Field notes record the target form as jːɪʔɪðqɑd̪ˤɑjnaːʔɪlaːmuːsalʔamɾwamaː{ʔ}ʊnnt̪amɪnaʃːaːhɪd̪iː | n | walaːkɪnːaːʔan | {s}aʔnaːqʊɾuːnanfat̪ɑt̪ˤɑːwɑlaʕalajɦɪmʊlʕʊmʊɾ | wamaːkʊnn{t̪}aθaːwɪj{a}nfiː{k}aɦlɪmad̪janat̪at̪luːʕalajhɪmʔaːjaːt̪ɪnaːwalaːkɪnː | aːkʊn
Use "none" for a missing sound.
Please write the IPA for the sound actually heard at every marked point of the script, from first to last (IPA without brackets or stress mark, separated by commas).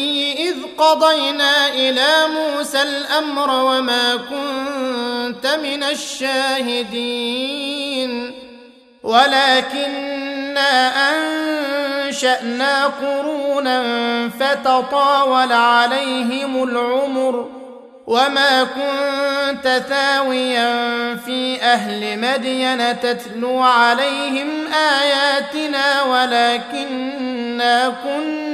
k, ʃ, t̪, a, ʔ